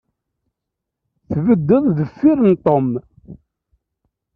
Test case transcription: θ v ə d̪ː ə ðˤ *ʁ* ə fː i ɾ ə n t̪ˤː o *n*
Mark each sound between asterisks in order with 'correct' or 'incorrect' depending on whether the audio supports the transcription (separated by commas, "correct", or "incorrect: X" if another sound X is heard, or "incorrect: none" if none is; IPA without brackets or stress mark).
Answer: incorrect: ð, incorrect: m